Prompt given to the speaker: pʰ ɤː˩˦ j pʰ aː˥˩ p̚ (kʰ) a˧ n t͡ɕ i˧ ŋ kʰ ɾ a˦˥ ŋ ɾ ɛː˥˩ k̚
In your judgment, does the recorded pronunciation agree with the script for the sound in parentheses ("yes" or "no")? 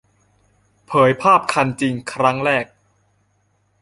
yes